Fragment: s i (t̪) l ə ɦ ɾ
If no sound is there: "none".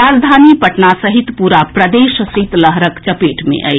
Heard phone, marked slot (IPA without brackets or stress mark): t̪